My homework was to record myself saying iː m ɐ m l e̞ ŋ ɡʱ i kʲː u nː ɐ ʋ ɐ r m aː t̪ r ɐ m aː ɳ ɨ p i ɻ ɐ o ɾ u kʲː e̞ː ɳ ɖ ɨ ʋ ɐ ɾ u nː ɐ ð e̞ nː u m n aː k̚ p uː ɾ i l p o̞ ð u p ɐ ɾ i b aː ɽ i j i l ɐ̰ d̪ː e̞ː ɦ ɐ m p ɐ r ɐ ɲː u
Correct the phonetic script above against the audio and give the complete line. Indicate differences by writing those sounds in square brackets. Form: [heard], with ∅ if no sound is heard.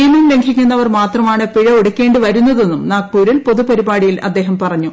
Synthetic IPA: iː m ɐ m l e̞ ŋ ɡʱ i kʲː u nː ɐ ʋ ɐ r m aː t̪ r ɐ m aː ɳ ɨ p i ɻ ɐ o [ɽ] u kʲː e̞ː ɳ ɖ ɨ ʋ ɐ ɾ u nː ɐ ð e̞ nː u m n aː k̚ p uː ɾ i l p o̞ ð u p ɐ ɾ i b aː ɽ i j i l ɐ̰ d̪ː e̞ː ɦ ɐ m p ɐ r ɐ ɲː u